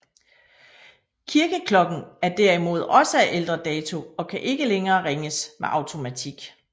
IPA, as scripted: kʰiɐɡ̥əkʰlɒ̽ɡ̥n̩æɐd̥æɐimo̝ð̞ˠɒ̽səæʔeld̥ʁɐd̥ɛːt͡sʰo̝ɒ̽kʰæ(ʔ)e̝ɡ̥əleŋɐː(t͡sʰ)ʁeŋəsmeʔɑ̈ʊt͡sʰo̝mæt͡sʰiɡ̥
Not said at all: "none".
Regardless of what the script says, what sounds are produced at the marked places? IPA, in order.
ʔ, none

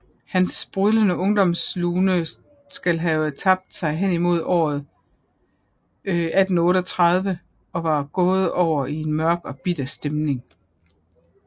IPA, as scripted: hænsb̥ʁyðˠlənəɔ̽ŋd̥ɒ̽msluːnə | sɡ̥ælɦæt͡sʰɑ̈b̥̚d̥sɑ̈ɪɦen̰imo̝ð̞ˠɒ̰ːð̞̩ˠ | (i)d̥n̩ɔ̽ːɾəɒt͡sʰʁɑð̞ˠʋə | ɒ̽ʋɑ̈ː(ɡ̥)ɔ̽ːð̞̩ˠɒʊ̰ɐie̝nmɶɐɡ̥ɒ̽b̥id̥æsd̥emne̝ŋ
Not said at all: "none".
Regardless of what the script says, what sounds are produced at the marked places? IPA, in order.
æ, ɡ̥

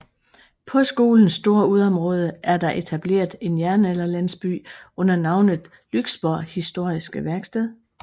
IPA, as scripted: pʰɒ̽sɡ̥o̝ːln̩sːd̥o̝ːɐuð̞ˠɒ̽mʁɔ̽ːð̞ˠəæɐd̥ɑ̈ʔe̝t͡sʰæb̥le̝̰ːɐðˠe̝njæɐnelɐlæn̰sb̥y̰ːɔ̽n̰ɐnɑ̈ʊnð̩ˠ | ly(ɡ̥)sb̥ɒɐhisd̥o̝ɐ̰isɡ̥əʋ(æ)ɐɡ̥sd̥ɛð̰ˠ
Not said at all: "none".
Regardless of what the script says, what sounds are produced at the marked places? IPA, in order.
ɡ̥, æ

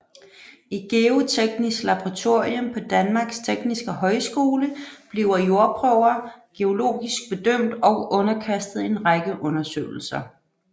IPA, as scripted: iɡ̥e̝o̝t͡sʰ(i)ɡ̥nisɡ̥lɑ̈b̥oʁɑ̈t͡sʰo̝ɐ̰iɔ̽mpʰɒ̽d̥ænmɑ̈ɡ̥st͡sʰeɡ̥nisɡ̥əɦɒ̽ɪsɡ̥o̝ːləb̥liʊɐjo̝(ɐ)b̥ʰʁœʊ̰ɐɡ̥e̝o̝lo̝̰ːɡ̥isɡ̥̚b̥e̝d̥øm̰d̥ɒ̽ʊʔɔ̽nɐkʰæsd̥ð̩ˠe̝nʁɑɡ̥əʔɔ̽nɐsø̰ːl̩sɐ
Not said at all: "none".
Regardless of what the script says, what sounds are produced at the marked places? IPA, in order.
e, ɐ

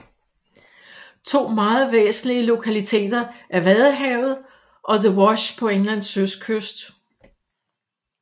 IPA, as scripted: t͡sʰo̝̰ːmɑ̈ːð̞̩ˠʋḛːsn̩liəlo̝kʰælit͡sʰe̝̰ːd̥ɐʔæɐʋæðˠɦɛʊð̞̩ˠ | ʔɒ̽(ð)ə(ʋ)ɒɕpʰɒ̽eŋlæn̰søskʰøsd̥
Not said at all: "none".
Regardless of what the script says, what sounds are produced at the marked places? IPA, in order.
ð, w

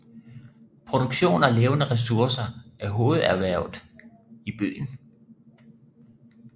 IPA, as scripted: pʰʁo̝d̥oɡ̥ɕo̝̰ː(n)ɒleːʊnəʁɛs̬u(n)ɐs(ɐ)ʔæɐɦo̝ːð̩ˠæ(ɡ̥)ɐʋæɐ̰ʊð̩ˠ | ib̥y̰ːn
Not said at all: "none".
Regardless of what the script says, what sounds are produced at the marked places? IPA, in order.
n, none, ɐ, none

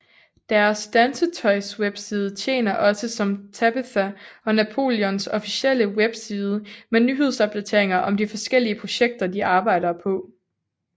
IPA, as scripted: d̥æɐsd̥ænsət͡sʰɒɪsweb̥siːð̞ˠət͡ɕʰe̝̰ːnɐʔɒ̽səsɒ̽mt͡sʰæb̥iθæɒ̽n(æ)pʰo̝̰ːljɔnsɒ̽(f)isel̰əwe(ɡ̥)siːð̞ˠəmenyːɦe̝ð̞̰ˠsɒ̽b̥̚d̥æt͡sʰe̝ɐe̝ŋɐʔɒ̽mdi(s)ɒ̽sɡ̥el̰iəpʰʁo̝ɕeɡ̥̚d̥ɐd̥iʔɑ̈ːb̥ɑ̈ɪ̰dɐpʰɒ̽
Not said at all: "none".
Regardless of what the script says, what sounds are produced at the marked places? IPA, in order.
æ, f, b̥, f

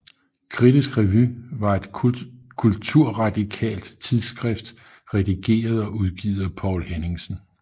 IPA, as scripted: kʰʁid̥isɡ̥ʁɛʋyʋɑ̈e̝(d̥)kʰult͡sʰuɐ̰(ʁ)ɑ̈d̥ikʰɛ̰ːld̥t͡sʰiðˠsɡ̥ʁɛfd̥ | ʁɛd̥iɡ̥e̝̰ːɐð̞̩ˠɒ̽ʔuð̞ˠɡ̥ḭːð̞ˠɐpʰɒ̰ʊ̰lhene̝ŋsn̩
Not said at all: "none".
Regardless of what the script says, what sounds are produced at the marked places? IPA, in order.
d̥, ʁ

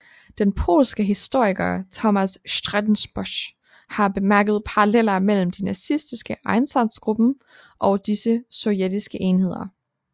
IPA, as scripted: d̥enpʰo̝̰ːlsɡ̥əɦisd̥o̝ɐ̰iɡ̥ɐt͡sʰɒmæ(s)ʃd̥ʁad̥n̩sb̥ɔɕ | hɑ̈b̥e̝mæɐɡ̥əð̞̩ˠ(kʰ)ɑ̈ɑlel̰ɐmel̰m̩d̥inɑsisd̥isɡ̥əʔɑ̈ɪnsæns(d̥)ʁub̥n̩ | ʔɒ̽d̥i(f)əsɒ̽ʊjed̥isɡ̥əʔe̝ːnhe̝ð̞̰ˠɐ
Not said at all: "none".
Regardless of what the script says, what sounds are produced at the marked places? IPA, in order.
s, pʰ, ɡ̥, s

